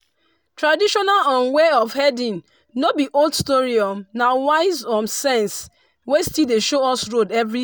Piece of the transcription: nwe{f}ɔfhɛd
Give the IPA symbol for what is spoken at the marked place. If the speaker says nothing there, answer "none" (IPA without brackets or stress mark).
none